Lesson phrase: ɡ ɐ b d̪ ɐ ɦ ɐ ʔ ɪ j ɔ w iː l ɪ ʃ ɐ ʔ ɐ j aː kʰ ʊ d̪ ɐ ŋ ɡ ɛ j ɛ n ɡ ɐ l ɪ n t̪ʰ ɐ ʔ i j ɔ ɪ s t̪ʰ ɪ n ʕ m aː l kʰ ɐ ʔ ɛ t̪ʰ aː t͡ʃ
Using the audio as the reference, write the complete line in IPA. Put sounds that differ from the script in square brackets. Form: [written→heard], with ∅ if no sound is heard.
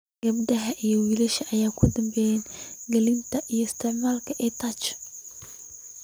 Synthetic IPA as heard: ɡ ɐ b d̪ ɐ ɦ ɐ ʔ [ɪ→i] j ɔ w iː l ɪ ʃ ɐ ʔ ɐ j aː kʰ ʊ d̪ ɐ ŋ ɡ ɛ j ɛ n ɡ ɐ l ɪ n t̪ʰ ɐ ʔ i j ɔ ɪ s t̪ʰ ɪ [n→∅] ʕ m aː l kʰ ɐ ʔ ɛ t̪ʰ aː t͡ʃ